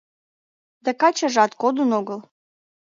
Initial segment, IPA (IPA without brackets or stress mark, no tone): d̪